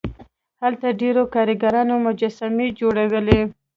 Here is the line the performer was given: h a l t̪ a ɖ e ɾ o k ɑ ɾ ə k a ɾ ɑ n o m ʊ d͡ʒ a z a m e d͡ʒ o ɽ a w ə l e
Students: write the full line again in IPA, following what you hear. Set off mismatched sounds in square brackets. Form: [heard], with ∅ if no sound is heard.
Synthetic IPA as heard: h a l t̪ a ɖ e ɾ o k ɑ ɾ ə [ɡ] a ɾ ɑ n o m ʊ d͡ʒ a [s] a m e d͡ʒ o ɽ a w ə l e